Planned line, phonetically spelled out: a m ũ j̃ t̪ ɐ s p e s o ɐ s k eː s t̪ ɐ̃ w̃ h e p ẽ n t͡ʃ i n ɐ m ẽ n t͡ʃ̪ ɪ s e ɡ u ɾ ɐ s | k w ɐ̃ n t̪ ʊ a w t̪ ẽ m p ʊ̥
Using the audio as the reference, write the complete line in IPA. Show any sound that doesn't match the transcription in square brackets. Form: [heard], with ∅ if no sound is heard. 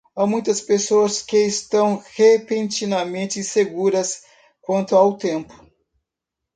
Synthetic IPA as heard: a m ũ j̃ t̪ ɐ s p e s o ɐ s k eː s t̪ ɐ̃ w̃ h e p ẽ n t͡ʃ i n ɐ m ẽ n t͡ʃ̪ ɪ s e ɡ u ɾ ɐ s | k w ɐ̃ n t̪ ʊ a w t̪ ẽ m p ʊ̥